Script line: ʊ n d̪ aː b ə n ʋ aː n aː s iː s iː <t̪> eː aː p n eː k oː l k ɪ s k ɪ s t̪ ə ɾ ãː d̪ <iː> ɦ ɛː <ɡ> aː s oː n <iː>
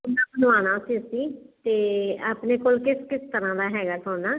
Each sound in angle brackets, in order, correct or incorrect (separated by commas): correct, incorrect, correct, incorrect